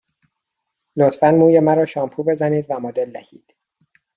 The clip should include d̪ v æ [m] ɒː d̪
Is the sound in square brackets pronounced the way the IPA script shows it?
yes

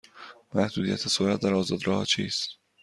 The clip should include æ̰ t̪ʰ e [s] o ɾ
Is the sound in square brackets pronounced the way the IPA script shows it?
yes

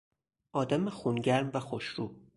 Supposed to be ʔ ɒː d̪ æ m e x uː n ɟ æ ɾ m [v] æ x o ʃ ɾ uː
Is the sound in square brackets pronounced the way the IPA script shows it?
yes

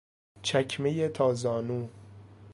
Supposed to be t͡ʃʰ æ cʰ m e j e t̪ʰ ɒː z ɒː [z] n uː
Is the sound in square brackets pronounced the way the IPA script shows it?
no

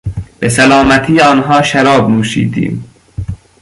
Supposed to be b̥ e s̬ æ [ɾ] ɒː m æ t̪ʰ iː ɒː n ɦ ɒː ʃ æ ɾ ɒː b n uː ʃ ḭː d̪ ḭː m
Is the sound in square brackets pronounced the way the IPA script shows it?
no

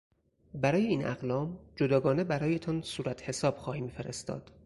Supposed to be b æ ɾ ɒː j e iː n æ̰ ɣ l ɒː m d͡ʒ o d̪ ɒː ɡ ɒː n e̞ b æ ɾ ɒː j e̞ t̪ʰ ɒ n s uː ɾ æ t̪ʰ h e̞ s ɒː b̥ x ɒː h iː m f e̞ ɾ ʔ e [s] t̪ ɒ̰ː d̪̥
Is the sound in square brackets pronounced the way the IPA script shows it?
yes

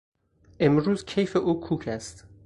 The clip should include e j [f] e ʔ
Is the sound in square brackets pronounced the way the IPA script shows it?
yes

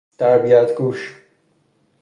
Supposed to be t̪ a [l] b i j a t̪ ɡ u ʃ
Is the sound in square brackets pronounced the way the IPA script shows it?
no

